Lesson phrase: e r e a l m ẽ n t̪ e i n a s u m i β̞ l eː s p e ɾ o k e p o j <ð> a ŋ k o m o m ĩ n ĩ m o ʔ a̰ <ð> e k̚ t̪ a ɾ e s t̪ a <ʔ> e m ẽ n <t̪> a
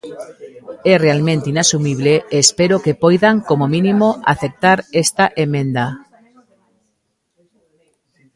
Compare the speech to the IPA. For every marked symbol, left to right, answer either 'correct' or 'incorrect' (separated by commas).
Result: correct, incorrect, correct, incorrect